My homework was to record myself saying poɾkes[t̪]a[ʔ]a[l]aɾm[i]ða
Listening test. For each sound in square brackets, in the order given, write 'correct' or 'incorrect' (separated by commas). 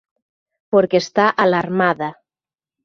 correct, correct, correct, incorrect